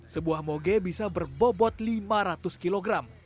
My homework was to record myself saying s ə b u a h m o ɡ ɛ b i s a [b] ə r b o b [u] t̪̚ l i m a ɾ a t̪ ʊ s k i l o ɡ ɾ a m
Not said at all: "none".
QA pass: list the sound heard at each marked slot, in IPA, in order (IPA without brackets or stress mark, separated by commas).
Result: b, ɔ